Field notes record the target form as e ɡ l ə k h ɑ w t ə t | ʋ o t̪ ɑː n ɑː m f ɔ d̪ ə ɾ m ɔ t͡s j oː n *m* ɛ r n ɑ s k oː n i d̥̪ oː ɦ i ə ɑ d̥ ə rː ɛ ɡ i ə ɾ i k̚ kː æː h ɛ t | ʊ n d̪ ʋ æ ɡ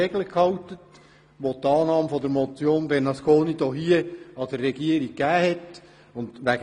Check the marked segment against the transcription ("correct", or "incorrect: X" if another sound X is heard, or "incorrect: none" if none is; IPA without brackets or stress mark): incorrect: b